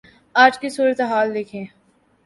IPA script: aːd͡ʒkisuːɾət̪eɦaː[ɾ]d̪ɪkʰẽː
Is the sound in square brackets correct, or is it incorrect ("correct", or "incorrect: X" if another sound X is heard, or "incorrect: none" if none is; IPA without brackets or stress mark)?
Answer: incorrect: l